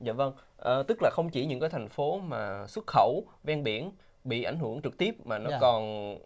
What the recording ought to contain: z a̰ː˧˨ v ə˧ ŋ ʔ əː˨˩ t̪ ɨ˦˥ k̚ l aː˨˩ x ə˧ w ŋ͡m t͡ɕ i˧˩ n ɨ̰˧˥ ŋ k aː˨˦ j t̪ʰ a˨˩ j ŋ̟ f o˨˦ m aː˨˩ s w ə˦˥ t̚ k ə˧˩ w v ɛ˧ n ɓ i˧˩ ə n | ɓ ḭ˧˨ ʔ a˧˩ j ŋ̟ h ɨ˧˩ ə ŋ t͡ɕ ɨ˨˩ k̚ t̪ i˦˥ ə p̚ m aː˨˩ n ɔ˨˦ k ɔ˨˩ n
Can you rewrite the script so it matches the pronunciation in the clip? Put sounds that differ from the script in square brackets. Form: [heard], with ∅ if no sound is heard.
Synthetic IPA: z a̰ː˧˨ v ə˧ ŋ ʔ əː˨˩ t̪ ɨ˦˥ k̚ l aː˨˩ x ə˧ w ŋ͡m t͡ɕ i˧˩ [ɲ] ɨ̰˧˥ ŋ k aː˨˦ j t̪ʰ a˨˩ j ŋ̟ f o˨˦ m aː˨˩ s w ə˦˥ t̚ [x] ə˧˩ w v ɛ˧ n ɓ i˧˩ ə n | ɓ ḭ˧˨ ʔ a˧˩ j ŋ̟ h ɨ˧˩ ə ŋ t͡ɕ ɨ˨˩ k̚ t̪ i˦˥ ə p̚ m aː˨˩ n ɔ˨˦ k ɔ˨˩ n